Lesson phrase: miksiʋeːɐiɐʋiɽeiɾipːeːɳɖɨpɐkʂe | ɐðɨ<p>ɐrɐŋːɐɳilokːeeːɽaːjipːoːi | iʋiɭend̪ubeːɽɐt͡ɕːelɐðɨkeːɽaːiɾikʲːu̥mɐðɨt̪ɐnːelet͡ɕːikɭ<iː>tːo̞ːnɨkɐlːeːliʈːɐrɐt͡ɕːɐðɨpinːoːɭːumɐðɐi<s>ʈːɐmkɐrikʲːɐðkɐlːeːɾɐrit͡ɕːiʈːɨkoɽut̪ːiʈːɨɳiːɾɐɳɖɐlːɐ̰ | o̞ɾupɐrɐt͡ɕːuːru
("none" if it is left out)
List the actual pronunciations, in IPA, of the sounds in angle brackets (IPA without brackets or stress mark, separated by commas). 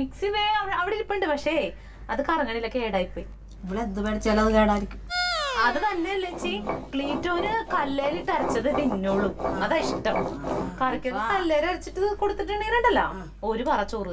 k, iː, ʂ